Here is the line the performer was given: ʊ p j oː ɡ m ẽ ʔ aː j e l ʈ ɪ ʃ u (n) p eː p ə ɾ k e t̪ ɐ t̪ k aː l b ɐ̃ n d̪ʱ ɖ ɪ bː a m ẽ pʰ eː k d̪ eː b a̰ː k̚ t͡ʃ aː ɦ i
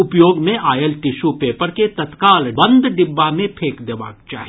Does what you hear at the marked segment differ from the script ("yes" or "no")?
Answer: yes